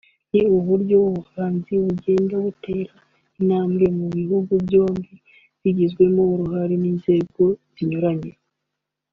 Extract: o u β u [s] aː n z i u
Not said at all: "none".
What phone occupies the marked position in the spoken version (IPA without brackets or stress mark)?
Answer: h